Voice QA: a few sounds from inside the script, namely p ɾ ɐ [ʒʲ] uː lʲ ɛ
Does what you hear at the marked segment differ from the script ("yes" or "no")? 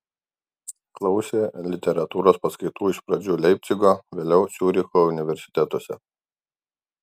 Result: yes